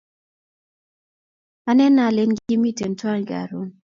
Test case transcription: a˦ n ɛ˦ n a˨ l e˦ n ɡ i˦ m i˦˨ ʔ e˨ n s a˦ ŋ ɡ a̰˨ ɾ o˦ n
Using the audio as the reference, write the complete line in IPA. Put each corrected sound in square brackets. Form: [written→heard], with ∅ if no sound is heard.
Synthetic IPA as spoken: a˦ n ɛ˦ n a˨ l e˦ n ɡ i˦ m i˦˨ [ʔ→t] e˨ n [s→t] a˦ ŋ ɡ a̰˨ ɾ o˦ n